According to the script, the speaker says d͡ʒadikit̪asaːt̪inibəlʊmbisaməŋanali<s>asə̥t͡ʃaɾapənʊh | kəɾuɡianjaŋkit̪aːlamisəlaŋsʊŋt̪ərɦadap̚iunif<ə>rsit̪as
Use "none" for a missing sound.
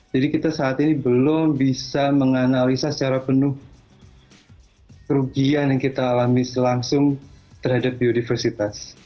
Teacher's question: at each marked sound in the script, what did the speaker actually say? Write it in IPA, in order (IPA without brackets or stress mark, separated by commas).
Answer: s, ə